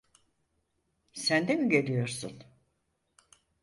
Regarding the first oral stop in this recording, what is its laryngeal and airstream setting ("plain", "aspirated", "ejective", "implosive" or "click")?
plain